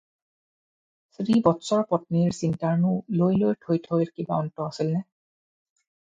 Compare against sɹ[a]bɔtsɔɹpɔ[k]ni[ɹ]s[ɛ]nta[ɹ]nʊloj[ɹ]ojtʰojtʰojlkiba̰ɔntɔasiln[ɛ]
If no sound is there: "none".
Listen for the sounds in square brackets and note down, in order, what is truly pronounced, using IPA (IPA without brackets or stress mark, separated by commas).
i, t, ɹ, i, ɹ, l, ɛ